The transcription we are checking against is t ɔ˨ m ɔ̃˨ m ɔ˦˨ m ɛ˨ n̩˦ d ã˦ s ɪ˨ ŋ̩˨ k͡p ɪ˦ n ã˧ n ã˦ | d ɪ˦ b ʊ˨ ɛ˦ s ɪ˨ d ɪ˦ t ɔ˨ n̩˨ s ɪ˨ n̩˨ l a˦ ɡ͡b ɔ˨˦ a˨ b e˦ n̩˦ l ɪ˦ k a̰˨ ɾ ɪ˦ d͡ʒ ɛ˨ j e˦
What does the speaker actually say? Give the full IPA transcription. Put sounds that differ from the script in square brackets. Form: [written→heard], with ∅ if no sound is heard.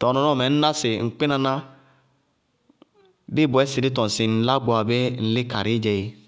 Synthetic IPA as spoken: t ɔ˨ [m→n] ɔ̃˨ [m→n] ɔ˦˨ m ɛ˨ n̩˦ [d→n] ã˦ s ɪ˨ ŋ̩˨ k͡p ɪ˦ n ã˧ n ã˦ | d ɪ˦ b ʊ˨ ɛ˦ s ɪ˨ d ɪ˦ t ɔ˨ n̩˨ s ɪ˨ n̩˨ l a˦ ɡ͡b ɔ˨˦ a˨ b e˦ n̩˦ l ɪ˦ k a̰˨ ɾ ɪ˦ d͡ʒ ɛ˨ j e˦